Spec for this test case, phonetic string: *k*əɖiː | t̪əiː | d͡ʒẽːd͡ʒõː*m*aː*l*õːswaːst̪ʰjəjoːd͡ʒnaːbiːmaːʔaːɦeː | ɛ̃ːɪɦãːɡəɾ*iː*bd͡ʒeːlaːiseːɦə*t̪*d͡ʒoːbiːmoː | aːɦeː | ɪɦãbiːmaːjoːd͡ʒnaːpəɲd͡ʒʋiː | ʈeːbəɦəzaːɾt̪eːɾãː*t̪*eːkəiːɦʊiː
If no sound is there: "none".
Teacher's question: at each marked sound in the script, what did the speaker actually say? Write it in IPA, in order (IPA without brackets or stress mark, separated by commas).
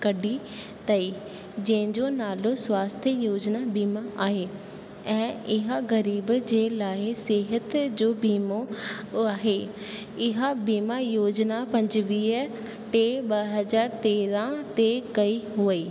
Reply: k, n, l, iː, t̪, t̪